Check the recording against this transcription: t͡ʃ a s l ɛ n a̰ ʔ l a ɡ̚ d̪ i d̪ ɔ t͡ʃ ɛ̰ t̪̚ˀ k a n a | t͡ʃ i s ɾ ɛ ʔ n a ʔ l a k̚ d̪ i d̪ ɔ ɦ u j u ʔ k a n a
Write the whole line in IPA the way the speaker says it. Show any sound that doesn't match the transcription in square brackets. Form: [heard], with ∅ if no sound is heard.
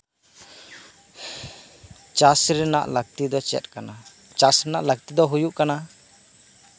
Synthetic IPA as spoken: t͡ʃ a s [ɾ] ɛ n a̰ ʔ l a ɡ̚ [t̪] i d̪ ɔ t͡ʃ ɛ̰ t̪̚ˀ k a n a | t͡ʃ [a] s ɾ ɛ [∅] n a ʔ l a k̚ [t̪] i d̪ ɔ ɦ u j u ʔ k a n a